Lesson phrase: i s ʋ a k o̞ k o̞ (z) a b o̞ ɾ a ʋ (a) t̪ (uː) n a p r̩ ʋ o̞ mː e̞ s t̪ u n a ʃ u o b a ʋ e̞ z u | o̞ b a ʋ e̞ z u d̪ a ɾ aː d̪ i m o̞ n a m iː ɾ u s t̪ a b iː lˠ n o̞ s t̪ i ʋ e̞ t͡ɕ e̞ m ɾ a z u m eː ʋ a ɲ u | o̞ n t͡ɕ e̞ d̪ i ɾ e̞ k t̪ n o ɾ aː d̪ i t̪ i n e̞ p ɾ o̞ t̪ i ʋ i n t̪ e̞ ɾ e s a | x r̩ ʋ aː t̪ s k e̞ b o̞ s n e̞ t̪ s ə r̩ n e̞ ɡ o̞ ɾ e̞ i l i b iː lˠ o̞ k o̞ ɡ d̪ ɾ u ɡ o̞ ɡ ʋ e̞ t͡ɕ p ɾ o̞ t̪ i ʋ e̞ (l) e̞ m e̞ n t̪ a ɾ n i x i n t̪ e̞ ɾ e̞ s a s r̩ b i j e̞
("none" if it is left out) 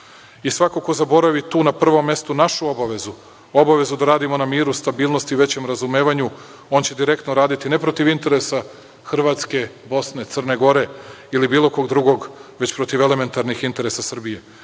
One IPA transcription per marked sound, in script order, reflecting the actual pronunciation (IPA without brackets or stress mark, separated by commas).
z, i, uː, l